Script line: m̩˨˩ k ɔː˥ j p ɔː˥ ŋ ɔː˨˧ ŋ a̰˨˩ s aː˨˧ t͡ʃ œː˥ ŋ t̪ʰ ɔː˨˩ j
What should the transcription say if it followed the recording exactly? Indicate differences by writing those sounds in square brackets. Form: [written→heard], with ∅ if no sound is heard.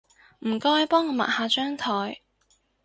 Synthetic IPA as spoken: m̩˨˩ k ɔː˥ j p ɔː˥ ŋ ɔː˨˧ [ŋ→m] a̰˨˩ [s→h] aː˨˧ t͡ʃ œː˥ ŋ t̪ʰ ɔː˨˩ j